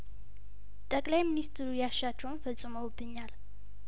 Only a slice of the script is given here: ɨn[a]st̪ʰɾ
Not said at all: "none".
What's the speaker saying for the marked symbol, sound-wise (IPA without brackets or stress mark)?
i